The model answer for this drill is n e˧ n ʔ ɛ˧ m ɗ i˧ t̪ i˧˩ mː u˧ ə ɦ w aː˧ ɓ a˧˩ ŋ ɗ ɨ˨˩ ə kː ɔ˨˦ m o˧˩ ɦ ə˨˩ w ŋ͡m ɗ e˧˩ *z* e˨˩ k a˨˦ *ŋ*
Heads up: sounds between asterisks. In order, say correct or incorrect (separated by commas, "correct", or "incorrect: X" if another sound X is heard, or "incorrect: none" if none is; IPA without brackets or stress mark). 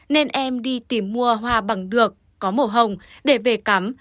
incorrect: v, incorrect: m